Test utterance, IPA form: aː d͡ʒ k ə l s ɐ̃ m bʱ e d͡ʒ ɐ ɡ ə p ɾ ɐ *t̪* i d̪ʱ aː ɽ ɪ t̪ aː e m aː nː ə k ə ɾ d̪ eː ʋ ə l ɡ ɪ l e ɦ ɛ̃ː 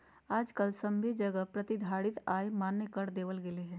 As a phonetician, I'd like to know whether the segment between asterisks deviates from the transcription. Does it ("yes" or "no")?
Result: no